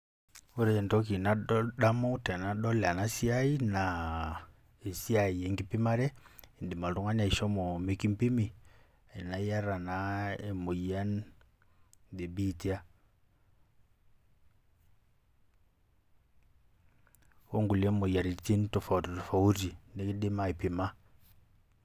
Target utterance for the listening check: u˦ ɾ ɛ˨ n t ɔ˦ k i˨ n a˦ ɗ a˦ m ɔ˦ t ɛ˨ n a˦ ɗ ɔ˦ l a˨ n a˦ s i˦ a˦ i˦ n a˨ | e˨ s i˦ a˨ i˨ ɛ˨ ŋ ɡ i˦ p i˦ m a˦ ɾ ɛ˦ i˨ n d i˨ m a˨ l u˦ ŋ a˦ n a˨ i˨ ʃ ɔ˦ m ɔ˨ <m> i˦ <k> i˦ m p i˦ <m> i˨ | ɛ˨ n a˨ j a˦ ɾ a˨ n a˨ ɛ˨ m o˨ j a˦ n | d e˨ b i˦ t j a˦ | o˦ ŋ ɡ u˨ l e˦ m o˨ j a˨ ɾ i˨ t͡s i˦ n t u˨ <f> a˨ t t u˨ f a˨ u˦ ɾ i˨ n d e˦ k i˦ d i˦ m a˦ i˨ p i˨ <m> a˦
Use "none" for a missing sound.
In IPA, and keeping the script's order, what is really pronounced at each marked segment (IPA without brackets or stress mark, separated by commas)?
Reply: m, k, m, f, m